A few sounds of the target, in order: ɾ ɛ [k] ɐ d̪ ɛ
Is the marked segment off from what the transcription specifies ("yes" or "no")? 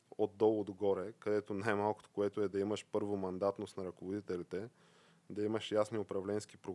no